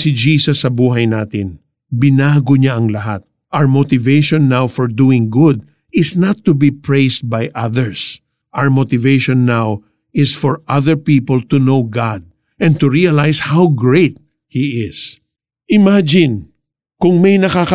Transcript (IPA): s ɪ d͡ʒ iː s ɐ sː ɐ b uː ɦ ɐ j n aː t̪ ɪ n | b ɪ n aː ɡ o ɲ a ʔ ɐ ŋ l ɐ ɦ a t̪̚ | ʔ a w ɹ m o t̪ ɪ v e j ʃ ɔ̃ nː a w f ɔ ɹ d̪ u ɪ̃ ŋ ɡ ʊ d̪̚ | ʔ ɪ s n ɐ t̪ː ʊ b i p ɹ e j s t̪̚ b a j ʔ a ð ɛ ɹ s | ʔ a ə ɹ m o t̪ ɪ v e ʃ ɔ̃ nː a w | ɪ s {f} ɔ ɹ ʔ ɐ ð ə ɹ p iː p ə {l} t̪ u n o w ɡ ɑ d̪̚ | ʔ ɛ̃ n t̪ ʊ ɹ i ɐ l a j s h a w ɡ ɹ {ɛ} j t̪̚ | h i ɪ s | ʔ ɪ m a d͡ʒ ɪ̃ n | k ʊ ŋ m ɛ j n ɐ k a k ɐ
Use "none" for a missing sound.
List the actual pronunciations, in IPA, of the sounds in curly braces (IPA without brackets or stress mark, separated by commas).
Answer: f, l, e